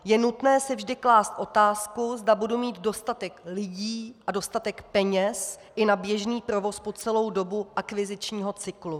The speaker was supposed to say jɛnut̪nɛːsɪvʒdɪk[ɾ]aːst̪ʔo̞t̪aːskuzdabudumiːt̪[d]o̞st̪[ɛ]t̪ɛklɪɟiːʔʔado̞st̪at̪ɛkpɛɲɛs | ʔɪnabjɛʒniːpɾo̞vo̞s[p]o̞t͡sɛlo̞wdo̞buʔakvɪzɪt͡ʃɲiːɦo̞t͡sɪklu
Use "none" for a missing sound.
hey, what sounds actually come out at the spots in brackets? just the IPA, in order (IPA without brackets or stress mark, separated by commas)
l, d, a, p